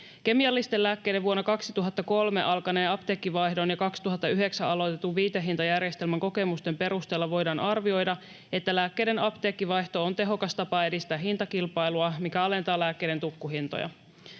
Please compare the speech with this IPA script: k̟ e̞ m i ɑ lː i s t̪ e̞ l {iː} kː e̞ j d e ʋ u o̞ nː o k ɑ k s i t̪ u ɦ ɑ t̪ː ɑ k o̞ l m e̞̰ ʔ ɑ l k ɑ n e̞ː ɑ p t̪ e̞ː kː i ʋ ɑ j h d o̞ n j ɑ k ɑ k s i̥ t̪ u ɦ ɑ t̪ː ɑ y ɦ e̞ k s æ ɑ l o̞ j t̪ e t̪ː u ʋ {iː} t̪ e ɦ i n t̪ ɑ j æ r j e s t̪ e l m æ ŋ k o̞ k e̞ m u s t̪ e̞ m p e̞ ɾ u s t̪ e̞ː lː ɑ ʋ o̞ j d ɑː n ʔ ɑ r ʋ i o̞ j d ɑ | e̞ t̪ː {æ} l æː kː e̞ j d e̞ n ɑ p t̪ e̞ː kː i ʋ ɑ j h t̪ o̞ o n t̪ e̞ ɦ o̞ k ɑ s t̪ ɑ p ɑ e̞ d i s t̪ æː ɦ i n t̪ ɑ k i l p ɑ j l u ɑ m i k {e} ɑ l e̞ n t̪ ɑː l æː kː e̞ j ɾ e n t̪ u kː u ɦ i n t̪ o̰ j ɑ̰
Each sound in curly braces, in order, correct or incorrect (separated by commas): incorrect, correct, correct, incorrect